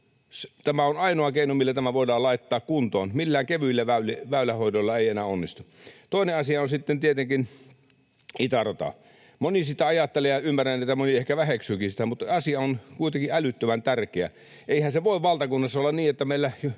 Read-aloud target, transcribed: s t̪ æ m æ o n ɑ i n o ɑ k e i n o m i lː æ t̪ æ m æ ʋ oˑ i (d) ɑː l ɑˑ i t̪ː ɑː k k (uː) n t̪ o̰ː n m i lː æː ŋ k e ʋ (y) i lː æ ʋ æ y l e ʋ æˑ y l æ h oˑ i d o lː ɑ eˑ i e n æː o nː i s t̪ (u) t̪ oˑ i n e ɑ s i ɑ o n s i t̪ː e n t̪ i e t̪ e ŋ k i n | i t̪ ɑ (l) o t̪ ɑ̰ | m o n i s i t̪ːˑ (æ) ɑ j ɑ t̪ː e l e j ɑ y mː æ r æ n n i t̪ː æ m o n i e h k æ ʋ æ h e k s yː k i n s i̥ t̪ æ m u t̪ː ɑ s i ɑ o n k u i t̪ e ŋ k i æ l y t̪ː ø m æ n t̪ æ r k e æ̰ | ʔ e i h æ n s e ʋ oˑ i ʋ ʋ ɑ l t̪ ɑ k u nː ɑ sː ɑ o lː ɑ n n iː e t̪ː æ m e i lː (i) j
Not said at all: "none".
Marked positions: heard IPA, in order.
d, u, y, u, r, æ, æ

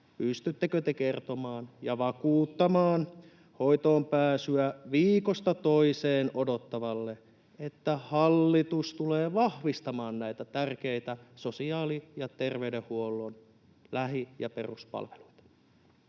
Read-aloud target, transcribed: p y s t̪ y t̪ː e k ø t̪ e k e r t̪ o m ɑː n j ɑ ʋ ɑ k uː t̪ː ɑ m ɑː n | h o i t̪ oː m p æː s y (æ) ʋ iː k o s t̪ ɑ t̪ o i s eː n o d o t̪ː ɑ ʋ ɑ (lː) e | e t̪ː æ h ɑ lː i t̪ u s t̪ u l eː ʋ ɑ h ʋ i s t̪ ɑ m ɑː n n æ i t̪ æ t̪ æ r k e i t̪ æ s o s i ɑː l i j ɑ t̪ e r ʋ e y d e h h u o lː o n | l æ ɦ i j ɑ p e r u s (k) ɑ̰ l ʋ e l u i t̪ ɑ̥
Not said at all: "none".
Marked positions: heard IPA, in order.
æ, lː, p

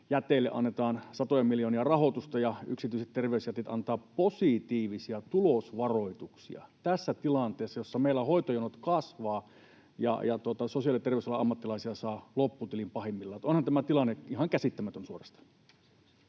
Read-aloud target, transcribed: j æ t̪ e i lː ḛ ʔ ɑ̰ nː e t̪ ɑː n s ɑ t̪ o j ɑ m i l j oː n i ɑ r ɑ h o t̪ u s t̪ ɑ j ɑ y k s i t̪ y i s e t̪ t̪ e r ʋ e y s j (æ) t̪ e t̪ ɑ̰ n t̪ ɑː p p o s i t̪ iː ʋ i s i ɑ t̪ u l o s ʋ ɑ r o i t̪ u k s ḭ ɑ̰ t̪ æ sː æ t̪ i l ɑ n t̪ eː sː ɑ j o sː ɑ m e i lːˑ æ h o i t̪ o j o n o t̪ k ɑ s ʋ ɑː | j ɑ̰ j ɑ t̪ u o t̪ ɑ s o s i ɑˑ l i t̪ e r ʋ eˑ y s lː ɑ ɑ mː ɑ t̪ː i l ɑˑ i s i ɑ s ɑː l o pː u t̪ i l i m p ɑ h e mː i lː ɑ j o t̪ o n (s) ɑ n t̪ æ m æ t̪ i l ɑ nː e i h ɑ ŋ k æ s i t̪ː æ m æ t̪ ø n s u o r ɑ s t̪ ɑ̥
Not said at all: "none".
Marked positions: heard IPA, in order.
æ, h

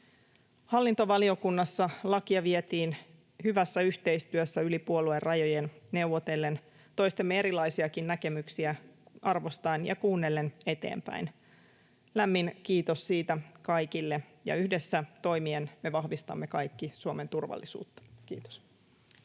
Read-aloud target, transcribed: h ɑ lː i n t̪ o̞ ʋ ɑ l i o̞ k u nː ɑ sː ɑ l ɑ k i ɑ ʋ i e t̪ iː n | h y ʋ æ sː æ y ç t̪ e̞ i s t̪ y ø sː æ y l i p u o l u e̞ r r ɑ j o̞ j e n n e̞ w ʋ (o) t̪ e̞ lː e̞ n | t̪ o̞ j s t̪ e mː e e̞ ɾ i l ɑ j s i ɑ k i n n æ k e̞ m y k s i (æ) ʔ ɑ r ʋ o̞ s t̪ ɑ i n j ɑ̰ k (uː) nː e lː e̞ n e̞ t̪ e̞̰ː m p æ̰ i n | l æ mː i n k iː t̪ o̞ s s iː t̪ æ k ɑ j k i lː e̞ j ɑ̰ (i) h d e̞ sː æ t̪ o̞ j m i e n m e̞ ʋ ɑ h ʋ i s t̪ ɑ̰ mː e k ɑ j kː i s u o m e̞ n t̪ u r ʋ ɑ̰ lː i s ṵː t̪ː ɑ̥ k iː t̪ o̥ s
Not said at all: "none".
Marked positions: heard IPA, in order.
o, æ, uː, y

